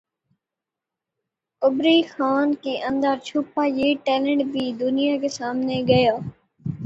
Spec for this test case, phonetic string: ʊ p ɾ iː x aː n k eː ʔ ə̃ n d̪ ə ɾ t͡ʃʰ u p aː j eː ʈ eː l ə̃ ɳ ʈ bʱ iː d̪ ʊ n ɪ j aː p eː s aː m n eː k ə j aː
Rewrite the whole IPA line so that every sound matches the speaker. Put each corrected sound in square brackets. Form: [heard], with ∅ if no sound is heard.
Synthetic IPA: ʊ [b] ɾ iː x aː n k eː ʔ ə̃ n d̪ ə ɾ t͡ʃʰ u p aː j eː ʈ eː l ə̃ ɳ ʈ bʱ iː d̪ ʊ n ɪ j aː [k] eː s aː m n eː [ɡ] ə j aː